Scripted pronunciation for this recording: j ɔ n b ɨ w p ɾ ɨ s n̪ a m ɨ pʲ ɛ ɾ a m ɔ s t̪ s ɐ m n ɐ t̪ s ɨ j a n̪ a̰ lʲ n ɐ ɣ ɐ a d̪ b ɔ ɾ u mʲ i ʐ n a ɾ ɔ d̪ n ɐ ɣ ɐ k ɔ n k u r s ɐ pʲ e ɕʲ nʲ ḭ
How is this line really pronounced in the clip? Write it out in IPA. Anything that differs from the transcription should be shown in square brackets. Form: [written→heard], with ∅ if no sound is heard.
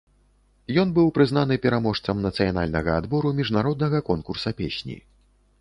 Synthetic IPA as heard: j ɔ n b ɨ w p ɾ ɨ [s→z] n̪ a [m→n] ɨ pʲ ɛ ɾ a m ɔ [s→ʂ] t̪ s ɐ m n ɐ t̪ s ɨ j a n̪ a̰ lʲ n ɐ ɣ ɐ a d̪ b ɔ ɾ u mʲ i ʐ n a ɾ ɔ d̪ n ɐ ɣ ɐ k ɔ n k u r s ɐ pʲ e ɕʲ nʲ ḭ